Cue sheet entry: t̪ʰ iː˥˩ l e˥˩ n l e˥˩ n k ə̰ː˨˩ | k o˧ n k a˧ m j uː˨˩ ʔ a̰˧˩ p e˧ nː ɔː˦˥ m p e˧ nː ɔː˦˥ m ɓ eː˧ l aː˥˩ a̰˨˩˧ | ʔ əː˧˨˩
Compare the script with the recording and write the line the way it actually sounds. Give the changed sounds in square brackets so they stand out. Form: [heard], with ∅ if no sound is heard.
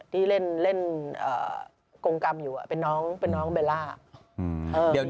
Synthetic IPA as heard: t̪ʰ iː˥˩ l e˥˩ n l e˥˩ n [ʔ] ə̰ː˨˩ | k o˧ [ŋ] k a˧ m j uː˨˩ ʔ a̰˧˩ p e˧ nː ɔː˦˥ [ŋ] p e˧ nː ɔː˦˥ [ŋ] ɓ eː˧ l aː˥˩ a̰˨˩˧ | ʔ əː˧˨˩